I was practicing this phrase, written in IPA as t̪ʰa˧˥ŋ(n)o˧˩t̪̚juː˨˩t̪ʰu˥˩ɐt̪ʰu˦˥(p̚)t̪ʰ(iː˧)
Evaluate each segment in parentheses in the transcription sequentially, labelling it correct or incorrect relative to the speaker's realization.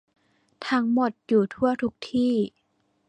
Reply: incorrect: m, incorrect: k̚, incorrect: iː˥˩

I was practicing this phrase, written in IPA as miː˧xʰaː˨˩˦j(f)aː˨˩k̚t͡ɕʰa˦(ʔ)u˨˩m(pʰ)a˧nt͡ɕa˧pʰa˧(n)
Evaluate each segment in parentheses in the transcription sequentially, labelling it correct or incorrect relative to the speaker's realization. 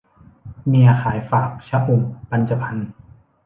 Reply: correct, correct, incorrect: p, correct

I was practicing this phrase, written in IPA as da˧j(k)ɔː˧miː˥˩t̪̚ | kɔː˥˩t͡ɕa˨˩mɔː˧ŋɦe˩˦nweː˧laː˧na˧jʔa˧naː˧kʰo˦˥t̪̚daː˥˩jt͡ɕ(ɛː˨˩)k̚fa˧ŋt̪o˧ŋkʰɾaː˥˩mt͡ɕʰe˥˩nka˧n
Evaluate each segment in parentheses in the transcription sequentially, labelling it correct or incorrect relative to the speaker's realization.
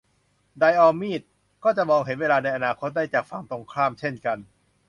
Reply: incorrect: ʔ, incorrect: aː˨˩

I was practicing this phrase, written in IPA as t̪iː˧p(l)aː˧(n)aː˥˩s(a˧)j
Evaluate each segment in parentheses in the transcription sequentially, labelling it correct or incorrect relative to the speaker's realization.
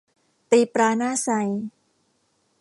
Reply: incorrect: ɾ, correct, correct

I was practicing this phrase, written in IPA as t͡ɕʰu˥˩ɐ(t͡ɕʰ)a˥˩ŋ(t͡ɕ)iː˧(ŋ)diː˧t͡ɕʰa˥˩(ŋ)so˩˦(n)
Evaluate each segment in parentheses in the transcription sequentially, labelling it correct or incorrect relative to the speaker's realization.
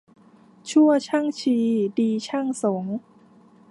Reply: correct, incorrect: t͡ɕʰ, incorrect: none, correct, incorrect: ŋ

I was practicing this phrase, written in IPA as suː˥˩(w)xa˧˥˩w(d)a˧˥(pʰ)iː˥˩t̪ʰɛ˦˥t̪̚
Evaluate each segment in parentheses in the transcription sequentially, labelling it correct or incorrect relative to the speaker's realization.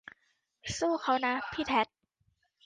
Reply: incorrect: none, incorrect: n, correct

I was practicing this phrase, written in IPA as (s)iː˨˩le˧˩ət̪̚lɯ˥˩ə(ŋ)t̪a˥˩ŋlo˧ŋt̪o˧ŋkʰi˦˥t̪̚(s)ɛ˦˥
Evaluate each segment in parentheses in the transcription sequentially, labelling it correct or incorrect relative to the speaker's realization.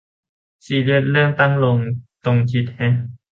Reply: correct, correct, incorrect: h

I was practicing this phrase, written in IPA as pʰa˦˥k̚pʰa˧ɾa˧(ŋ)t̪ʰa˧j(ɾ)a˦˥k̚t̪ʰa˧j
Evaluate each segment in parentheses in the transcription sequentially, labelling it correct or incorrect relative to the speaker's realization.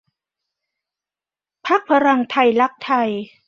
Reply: correct, incorrect: l

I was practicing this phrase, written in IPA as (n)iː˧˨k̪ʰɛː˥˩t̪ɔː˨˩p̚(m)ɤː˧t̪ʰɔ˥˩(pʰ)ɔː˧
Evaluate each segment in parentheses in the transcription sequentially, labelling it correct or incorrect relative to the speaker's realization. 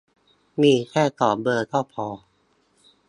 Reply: incorrect: m, incorrect: b, correct

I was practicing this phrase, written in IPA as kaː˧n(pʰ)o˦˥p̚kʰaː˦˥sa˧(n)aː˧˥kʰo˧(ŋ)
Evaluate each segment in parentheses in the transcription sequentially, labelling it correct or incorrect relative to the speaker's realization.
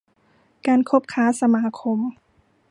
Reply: incorrect: kʰ, incorrect: m, incorrect: m

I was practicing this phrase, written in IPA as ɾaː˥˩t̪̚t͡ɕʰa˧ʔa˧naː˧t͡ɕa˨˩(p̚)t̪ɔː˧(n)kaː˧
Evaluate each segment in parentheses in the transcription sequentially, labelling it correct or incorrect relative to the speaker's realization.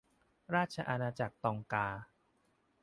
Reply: incorrect: k̚, incorrect: ŋ

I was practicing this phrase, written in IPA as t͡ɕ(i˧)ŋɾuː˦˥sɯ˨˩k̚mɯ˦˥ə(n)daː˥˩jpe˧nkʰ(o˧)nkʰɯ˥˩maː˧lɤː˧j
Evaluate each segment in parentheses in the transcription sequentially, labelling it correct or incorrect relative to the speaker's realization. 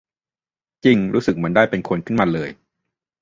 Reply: correct, correct, correct

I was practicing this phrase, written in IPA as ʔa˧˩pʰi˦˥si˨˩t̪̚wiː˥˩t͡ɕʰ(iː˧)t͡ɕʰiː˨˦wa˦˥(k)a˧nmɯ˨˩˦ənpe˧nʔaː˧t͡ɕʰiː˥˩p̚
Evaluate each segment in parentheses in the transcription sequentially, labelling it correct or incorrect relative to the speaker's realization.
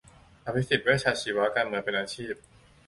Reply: incorrect: aː˧, correct

